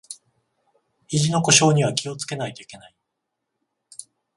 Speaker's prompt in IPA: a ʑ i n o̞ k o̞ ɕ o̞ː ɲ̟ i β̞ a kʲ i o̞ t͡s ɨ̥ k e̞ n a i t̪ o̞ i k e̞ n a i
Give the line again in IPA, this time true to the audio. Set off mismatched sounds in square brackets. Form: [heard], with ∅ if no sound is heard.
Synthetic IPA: [i] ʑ i n o̞ k o̞ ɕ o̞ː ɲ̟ i β̞ a kʲ i o̞ t͡s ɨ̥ k e̞ n a i t̪ o̞ i k e̞ n a i